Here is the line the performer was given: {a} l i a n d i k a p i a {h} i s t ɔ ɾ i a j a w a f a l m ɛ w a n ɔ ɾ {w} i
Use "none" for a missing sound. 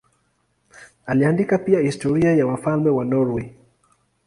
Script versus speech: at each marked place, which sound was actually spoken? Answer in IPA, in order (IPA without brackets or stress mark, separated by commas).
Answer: a, h, w